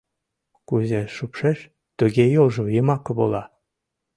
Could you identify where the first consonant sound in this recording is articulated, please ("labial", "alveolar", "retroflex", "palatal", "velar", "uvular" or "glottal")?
velar